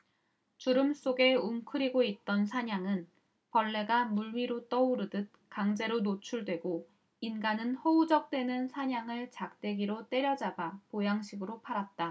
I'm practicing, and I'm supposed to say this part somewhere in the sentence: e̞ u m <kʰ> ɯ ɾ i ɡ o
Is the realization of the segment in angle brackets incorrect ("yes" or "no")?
no